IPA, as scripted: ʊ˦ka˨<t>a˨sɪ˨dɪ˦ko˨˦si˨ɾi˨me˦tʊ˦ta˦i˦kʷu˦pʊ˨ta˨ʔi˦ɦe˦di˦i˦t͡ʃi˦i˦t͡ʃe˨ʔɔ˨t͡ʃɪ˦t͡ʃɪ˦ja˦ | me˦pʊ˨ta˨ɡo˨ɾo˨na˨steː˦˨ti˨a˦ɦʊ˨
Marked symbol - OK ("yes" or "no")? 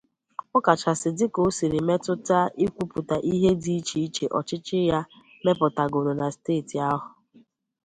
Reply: no